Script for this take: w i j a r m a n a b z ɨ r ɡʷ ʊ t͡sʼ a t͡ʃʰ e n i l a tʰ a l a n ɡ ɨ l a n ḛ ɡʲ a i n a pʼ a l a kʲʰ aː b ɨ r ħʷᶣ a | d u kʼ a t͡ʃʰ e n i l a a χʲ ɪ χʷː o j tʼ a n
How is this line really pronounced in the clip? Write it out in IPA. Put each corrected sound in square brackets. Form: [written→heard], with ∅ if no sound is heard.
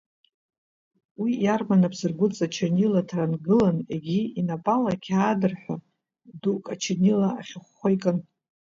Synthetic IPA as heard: w i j a r m a n a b z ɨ r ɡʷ ʊ t͡sʼ a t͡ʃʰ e n i l a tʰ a [l→r] a n ɡ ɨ l a n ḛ ɡʲ [a→i] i n a pʼ a l a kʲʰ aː [b→d] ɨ r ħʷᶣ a | d u kʼ a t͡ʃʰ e n i l a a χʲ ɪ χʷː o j [tʼ→kʼ] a n